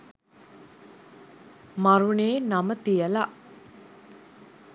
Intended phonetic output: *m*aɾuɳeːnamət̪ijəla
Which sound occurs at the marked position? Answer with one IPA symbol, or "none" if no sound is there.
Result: m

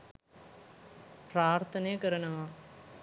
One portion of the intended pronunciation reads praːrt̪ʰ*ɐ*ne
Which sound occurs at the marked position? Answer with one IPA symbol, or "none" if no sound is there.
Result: ɐ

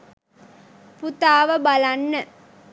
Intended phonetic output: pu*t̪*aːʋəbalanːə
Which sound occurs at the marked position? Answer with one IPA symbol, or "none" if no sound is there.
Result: t̪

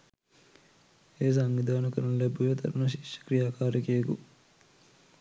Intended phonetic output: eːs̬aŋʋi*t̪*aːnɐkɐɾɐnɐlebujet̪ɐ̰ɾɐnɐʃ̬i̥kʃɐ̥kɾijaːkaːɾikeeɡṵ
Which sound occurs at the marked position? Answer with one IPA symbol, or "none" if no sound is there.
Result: d̪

